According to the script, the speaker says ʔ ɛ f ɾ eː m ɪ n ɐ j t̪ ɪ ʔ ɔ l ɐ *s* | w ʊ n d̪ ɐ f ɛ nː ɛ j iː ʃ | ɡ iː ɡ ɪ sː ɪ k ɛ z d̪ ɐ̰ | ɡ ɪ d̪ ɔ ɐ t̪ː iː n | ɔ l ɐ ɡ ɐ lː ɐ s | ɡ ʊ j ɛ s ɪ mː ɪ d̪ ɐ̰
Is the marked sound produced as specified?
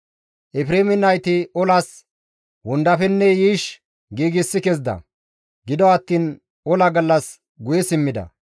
yes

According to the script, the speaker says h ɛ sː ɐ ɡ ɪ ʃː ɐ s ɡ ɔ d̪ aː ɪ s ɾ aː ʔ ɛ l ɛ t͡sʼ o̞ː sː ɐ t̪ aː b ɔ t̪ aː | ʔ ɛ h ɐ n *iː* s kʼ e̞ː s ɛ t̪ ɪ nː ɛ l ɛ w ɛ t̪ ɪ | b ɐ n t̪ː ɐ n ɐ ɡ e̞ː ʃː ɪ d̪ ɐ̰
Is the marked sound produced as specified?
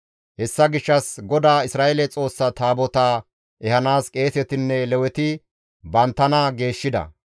no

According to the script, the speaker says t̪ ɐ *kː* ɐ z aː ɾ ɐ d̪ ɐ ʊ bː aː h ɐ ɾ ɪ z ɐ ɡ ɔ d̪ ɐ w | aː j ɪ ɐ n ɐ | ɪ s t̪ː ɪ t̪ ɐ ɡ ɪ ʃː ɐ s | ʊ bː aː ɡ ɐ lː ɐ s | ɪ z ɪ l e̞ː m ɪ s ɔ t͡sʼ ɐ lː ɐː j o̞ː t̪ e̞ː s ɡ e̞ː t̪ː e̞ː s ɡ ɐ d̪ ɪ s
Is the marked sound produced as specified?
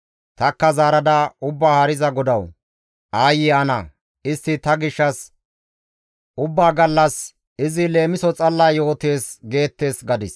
yes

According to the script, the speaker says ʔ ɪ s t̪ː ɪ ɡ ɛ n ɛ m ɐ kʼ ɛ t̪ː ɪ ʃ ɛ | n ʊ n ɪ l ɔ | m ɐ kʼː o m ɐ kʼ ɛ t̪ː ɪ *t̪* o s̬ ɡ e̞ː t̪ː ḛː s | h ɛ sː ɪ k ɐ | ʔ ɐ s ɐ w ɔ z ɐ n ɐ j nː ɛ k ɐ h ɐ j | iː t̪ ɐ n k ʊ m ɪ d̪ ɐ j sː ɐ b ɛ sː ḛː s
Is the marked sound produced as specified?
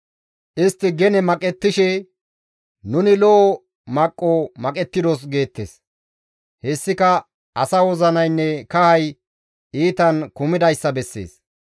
no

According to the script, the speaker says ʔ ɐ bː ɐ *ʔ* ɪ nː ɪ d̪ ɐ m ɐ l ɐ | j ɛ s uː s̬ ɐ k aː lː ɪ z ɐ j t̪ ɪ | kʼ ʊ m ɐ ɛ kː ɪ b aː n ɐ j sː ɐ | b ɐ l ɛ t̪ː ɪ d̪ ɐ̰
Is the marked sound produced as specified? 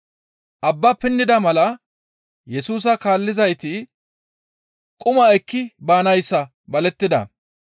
no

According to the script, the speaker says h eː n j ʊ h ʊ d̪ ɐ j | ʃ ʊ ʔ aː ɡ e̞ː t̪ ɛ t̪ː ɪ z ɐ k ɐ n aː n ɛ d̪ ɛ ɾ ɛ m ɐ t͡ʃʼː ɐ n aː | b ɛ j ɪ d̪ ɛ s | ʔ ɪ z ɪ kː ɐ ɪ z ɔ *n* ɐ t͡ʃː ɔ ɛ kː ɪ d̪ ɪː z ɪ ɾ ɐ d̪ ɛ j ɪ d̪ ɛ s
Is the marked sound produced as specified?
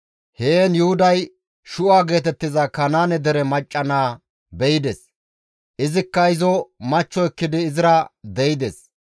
no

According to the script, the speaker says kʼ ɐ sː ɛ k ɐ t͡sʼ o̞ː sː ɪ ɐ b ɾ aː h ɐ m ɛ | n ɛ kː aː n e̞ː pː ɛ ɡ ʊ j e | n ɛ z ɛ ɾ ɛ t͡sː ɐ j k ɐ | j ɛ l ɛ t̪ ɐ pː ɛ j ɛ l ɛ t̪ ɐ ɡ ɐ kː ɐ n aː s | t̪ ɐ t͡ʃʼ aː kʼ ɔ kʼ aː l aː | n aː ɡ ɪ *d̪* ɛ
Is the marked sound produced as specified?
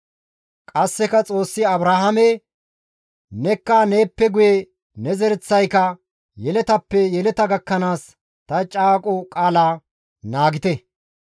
no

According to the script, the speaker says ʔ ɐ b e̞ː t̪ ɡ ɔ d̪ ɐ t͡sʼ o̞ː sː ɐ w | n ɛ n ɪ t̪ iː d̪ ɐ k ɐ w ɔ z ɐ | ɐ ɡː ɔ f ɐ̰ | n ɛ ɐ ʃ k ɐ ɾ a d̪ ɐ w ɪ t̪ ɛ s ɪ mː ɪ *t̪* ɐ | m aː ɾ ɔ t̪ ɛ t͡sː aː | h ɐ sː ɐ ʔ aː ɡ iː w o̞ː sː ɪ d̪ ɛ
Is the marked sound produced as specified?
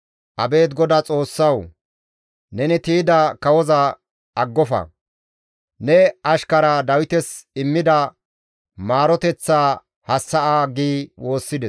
no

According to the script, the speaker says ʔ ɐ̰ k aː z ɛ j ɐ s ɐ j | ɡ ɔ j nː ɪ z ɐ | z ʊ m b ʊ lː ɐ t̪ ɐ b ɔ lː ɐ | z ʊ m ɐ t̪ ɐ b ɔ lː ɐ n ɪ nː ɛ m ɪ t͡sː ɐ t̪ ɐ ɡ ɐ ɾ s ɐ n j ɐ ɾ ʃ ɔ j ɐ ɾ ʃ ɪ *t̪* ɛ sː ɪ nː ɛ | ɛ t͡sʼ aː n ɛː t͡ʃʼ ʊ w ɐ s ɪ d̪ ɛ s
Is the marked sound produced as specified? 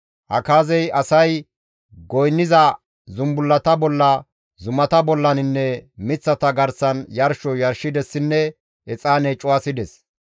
no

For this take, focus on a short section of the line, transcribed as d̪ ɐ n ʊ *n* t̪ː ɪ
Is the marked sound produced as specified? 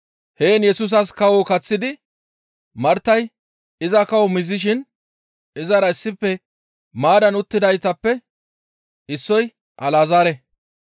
no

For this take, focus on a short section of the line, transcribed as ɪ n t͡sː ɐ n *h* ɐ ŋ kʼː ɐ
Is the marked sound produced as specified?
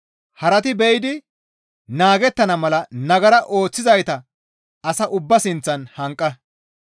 yes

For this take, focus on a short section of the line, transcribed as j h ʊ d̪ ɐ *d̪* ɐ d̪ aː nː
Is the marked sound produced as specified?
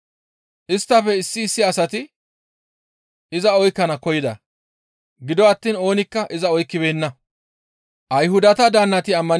no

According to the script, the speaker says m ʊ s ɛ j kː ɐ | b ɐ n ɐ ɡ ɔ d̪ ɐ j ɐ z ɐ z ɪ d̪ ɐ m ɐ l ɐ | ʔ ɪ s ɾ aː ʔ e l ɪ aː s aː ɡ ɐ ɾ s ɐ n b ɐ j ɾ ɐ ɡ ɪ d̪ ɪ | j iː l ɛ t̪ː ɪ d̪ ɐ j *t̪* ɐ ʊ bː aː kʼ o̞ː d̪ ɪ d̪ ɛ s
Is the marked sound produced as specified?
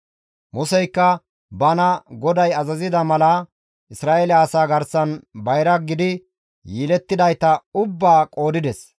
yes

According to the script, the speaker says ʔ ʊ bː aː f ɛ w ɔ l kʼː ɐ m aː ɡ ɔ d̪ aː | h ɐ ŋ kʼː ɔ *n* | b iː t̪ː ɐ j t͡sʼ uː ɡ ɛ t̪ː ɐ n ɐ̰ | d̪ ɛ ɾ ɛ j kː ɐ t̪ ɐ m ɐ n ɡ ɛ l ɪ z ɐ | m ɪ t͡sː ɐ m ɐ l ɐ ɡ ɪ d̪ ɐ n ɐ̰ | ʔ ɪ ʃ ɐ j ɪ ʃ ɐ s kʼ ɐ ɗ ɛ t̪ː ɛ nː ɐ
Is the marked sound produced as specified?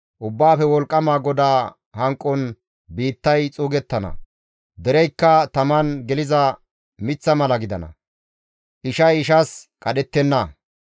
yes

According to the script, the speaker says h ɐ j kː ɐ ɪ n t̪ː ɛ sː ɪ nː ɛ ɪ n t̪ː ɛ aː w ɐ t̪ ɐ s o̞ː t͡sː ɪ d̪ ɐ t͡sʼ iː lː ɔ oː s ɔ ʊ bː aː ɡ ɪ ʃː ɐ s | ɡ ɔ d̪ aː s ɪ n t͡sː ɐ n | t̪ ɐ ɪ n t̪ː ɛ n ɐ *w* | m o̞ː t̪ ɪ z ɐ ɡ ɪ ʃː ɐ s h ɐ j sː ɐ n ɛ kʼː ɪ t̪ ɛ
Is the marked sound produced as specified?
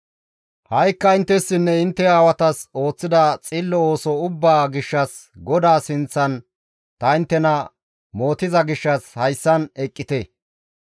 no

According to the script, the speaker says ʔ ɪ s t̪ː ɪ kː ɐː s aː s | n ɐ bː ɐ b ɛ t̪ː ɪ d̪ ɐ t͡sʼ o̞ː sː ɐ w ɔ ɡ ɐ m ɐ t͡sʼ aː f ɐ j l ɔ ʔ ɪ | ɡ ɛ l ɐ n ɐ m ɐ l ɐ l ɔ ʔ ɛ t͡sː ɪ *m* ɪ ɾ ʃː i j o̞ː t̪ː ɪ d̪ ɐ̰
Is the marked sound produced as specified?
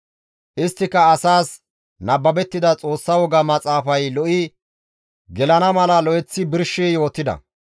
no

